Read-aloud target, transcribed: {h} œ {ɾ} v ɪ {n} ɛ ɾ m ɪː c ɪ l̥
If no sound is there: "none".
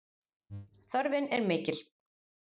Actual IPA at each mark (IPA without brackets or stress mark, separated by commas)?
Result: θ, ɾ, n